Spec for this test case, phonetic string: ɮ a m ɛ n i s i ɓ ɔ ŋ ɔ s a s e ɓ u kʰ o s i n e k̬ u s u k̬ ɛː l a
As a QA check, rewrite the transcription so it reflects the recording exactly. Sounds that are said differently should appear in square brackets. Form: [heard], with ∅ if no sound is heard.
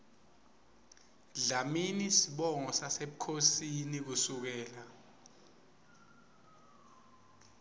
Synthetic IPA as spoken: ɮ a m [i] n i s i ɓ ɔ ŋ ɔ s a s e ɓ u kʰ o s i n [i] k̬ u s u k̬ ɛː l a

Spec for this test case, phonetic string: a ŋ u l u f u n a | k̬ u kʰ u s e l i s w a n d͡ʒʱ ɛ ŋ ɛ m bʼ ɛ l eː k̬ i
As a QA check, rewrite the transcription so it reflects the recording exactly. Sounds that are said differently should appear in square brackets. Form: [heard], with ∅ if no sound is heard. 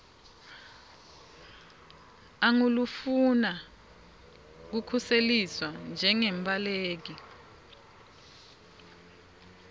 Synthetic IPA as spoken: a ŋ u l u f u n a | k̬ u kʰ u s e l i s w a n d͡ʒʱ ɛ ŋ ɛ m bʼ [a] l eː k̬ i

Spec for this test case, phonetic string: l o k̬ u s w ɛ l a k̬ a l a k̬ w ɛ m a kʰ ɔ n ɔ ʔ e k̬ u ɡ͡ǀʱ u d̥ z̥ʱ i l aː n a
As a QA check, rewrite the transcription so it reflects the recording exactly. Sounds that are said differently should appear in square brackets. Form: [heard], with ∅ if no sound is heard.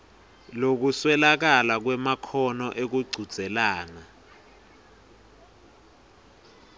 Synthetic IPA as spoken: l o k̬ u s w ɛ l a k̬ a l a k̬ w ɛ m a kʰ ɔ n ɔ ʔ e k̬ u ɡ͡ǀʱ u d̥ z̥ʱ [ɛ] l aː n a

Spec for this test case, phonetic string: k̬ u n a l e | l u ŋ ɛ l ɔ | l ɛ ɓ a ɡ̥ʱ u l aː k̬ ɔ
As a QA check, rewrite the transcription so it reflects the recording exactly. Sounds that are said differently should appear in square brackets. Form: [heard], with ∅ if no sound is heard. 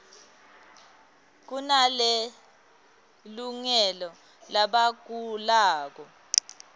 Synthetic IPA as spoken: k̬ u n a l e | l u ŋ ɛ l ɔ | l [a] ɓ a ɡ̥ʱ u l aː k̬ ɔ

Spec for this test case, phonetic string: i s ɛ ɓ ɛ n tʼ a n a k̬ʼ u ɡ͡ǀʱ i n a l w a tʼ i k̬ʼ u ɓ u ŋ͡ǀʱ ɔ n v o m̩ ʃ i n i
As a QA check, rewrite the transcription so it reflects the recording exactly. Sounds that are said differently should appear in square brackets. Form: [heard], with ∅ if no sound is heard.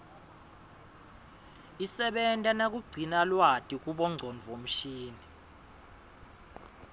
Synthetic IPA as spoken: i s ɛ ɓ ɛ n tʼ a n a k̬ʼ u ɡ͡ǀʱ i n a l w a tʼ i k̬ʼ u ɓ [ɔ] ŋ͡ǀʱ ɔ n v o m̩ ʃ [iː] n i

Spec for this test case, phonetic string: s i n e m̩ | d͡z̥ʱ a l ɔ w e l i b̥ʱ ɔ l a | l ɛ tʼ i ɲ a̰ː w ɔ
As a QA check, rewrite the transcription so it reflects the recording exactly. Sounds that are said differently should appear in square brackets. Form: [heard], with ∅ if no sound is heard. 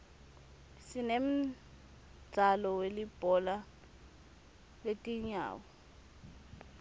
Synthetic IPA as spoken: s i n e m̩ | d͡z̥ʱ a l ɔ w e l i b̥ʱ ɔ l a | l [e] tʼ i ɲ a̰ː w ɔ

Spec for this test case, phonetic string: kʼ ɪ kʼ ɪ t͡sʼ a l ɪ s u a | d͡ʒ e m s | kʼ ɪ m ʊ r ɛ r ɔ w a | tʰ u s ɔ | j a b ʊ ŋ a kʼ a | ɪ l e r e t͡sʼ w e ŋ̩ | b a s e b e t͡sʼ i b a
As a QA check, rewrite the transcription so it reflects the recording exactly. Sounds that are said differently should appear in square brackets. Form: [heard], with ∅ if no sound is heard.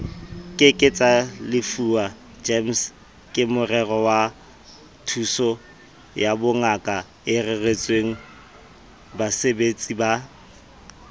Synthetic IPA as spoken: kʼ ɪ kʼ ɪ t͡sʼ a l ɪ [f] u a | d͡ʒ e m s | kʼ ɪ m ʊ r ɛ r ɔ w a | tʰ u s ɔ | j a b ʊ ŋ a kʼ a | ɪ [r] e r e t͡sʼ w e ŋ̩ | b a s e b e t͡sʼ i b a

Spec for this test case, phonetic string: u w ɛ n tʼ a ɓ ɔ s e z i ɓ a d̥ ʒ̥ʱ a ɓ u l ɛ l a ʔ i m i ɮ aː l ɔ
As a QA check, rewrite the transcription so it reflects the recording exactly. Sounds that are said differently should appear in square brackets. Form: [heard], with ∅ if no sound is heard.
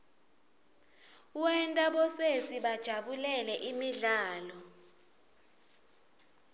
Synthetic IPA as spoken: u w ɛ n tʼ a ɓ ɔ s e [s] i ɓ a d̥ ʒ̥ʱ a ɓ u l ɛ l [ɛ] ʔ i m i ɮ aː l ɔ

